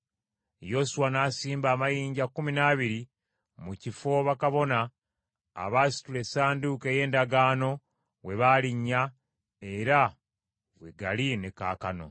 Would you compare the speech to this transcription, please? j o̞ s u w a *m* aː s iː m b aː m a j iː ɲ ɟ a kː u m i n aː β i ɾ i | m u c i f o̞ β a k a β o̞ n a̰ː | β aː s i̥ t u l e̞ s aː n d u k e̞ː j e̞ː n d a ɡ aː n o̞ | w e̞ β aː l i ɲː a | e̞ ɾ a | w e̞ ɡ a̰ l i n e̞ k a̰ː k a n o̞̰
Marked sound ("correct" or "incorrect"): incorrect